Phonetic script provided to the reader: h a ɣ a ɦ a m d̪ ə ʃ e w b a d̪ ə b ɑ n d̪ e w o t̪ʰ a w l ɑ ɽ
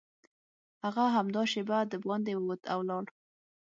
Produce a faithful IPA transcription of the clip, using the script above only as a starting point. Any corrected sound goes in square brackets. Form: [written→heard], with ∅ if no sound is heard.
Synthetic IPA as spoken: h a ɣ a ɦ a m d̪ [ə→ɑ] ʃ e [w→∅] b a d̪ ə b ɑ n d̪ e w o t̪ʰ a w l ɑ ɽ